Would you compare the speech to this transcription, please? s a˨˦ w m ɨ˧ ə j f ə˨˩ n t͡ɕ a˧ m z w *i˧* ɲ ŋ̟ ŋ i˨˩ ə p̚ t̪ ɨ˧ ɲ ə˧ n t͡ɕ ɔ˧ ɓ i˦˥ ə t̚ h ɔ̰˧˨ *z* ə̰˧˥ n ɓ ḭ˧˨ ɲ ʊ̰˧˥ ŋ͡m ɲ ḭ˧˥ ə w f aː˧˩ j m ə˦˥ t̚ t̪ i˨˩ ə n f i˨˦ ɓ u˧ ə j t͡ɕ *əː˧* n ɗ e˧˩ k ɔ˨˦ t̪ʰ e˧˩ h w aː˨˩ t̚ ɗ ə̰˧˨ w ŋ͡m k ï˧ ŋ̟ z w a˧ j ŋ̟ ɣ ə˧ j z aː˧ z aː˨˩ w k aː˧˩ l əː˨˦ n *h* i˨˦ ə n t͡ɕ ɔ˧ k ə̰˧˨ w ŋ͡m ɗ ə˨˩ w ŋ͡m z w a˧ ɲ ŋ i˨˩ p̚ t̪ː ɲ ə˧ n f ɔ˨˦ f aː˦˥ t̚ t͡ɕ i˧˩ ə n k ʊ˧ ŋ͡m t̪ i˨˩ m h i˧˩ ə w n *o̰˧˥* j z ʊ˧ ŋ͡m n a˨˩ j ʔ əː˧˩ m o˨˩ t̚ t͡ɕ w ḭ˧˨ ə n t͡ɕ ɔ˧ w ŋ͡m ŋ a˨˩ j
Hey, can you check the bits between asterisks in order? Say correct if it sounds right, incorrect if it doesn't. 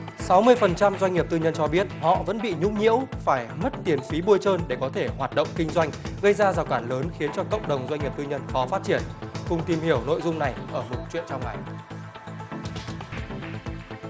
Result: incorrect: a˧, incorrect: v, correct, incorrect: x, incorrect: o̰˧˨

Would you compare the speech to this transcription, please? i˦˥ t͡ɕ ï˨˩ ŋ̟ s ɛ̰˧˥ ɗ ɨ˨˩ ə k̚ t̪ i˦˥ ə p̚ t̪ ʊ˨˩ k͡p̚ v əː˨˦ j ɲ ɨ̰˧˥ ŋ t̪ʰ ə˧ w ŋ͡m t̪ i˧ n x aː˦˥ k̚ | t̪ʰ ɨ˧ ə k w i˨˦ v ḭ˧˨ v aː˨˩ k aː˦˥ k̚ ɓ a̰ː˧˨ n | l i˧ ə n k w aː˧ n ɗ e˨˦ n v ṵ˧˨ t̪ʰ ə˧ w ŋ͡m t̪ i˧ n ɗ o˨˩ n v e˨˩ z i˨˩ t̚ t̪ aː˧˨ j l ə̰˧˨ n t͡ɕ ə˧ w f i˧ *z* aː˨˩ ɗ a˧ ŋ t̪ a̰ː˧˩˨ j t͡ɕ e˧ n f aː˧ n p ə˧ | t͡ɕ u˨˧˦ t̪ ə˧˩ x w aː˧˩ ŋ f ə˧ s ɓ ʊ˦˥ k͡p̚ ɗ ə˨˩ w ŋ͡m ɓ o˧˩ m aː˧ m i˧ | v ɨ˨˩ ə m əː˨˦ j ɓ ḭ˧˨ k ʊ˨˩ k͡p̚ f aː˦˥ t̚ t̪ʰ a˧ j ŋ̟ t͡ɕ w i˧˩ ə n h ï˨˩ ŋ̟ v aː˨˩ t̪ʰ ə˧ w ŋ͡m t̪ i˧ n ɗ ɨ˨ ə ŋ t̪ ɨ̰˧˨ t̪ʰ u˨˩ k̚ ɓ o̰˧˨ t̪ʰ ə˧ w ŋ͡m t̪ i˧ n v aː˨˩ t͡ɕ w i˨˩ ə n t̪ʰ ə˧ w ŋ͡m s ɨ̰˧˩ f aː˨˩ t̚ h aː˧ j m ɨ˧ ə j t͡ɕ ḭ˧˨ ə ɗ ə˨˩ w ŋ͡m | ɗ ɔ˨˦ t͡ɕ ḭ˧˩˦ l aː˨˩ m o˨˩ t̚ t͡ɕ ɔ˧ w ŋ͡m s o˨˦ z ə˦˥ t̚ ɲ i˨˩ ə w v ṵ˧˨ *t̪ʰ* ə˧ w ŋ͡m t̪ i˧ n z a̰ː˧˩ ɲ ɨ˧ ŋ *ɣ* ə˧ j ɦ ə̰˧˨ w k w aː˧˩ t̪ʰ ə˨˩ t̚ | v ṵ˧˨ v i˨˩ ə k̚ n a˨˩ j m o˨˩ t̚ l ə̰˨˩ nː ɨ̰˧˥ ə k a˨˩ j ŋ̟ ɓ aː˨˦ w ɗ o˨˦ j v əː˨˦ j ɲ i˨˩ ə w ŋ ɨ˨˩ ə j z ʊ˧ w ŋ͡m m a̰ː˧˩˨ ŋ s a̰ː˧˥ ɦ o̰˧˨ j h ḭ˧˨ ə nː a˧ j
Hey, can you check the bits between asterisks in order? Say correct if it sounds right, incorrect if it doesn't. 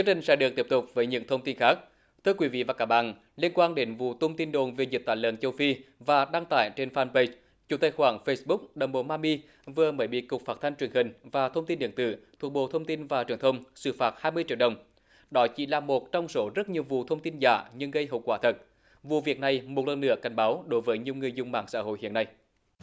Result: incorrect: v, correct, correct

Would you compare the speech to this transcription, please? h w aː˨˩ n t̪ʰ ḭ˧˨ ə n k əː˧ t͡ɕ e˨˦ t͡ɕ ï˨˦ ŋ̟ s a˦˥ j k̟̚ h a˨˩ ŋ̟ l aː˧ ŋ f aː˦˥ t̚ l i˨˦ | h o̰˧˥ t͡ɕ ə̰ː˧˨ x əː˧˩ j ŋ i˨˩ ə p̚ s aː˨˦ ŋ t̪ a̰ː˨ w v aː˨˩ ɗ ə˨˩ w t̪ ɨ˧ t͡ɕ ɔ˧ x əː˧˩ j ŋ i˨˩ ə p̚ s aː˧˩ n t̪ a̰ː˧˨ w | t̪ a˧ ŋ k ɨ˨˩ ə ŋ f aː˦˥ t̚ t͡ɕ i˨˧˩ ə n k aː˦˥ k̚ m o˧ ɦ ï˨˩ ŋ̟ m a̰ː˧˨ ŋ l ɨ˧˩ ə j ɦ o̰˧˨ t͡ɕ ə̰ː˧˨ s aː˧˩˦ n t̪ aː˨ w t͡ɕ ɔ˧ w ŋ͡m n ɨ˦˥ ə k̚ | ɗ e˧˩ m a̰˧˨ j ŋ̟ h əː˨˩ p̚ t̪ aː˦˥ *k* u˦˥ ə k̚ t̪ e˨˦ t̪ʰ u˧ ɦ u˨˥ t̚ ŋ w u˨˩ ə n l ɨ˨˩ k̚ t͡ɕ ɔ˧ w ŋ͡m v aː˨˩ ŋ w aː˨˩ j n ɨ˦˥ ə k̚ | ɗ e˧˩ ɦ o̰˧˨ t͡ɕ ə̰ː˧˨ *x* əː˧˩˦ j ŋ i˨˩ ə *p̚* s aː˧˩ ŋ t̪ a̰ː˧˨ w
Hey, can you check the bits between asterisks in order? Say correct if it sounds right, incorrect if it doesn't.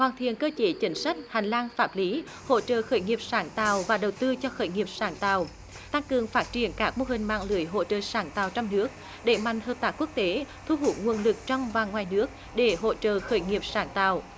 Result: correct, correct, correct

